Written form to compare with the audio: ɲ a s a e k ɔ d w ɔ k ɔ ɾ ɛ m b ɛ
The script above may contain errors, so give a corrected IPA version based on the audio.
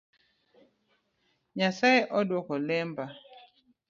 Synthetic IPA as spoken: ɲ a s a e ʔ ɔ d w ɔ k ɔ l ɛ m b a